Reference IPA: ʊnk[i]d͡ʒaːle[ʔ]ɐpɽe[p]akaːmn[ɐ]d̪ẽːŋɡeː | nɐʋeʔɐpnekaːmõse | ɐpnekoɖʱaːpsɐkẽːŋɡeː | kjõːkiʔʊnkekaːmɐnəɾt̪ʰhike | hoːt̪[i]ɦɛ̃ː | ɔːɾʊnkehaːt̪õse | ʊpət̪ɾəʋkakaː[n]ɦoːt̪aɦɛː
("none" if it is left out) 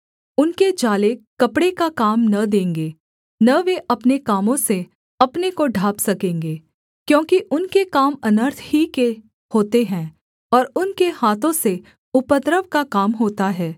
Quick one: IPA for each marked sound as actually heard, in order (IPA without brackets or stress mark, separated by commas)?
e, k, k, ɐ, e, m